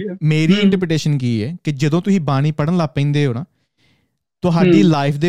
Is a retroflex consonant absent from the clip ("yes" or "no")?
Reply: no